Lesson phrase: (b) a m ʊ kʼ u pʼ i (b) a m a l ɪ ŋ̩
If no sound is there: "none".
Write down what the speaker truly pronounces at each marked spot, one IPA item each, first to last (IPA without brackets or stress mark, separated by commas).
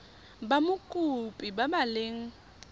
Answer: b, b